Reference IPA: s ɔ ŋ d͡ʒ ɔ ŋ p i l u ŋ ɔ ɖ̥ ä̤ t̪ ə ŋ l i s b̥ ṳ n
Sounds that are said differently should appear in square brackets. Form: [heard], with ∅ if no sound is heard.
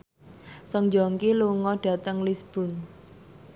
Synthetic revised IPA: s ɔ ŋ d͡ʒ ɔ ŋ [k] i l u ŋ ɔ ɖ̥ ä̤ t̪ ə ŋ l i s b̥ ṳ n